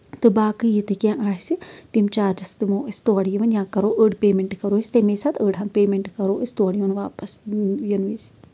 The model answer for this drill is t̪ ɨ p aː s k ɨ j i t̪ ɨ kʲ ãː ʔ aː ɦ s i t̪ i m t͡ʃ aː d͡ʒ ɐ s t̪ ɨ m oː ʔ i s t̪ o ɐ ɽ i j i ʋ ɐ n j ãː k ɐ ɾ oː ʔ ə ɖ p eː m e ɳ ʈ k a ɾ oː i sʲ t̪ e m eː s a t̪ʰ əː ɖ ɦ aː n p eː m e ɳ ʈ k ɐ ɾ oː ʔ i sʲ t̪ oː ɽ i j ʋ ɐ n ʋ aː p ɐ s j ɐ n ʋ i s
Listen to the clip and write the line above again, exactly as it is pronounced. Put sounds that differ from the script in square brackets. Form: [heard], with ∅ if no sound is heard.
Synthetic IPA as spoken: t̪ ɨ [b] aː [∅] k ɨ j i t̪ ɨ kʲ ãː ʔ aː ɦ s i t̪ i m t͡ʃ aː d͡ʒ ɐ s t̪ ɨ m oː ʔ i s t̪ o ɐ ɽ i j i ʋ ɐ n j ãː k ɐ ɾ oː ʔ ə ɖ p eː m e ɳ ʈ k [ɐ] ɾ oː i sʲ t̪ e m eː s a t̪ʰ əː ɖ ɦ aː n p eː m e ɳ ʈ k ɐ ɾ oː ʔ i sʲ t̪ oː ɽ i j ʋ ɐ n ʋ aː p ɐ s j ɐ n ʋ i s